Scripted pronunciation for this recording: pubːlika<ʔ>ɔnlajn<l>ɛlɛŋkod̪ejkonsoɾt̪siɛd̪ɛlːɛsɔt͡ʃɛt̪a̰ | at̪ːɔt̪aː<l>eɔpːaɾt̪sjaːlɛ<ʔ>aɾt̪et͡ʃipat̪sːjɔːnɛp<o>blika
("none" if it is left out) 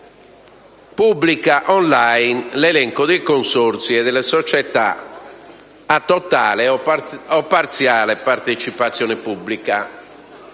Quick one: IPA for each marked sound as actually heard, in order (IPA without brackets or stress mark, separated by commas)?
ʔ, l, l, p, u